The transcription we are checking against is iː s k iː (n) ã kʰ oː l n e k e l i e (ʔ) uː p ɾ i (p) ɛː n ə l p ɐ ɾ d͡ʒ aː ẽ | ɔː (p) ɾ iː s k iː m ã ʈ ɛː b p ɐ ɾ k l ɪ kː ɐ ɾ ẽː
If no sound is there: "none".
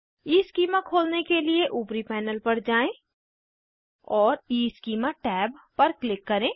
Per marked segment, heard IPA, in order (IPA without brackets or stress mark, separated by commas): m, ʔ, p, none